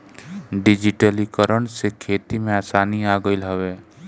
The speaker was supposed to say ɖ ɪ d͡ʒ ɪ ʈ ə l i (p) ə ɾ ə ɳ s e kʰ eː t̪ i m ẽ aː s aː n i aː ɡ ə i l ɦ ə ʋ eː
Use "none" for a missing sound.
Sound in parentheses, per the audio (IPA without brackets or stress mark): k